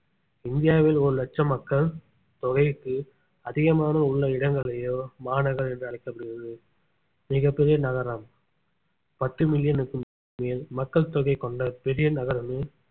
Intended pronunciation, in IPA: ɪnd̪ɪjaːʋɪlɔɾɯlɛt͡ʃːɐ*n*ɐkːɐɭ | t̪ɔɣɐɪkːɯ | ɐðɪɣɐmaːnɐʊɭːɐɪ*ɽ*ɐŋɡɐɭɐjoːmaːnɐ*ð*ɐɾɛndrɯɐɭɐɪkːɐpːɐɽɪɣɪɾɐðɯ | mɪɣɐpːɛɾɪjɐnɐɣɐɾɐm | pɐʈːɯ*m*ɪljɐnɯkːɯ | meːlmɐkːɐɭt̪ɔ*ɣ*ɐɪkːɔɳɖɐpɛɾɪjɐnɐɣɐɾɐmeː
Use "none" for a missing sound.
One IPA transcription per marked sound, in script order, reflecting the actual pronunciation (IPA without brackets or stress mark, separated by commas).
m, ɽ, ɣ, m, ɣ